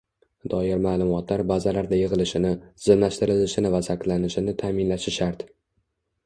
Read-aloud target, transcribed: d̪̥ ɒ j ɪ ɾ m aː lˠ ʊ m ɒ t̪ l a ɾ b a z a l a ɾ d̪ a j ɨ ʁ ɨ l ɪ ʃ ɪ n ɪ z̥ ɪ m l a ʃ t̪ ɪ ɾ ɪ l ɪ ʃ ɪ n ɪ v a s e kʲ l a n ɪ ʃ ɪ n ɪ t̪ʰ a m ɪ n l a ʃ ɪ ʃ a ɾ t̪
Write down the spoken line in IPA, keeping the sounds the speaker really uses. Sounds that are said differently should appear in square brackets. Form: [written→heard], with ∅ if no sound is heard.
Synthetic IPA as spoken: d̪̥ ɒ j ɪ ɾ m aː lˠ ʊ m ɒ t̪ l a ɾ b a z a l a ɾ d̪ a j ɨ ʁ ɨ l ɪ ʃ ɪ n ɪ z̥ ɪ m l a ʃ t̪ ɪ ɾ ɪ l ɪ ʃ ɪ n ɪ v a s [e→a] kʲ l a n ɪ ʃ ɪ n ɪ t̪ʰ a m ɪ n l a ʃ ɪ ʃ a ɾ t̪